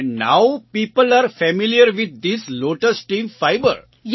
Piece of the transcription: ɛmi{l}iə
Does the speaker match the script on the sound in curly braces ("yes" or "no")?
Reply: yes